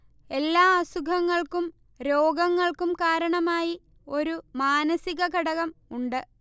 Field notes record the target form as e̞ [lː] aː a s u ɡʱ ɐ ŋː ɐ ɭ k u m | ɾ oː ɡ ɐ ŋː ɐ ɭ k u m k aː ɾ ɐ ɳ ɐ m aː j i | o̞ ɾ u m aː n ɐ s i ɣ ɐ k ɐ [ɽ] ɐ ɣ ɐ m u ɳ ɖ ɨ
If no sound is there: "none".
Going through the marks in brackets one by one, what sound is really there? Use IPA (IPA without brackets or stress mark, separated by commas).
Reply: lː, ɽ